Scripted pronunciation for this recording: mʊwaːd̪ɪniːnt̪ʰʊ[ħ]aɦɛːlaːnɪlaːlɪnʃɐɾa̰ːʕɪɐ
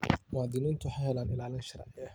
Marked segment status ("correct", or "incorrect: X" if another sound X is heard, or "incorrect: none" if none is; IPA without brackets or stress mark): correct